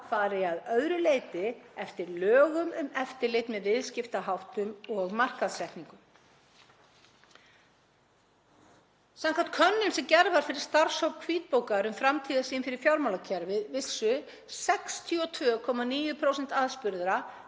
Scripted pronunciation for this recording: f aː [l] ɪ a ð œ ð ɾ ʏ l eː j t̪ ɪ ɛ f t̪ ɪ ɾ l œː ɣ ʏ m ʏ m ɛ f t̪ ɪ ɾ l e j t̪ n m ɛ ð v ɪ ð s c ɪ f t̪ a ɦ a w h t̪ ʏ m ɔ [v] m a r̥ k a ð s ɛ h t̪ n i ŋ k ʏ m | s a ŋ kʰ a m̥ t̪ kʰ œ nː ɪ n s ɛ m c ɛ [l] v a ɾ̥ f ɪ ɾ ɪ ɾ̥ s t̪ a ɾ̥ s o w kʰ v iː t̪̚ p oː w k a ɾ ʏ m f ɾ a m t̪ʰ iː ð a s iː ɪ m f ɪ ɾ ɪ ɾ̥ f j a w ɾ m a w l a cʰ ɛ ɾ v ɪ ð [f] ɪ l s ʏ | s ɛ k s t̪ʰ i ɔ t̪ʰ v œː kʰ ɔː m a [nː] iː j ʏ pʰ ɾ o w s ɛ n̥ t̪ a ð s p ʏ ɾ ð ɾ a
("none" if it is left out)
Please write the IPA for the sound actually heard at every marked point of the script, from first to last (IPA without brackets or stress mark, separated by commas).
ɾ, ɣ, ɾ, v, n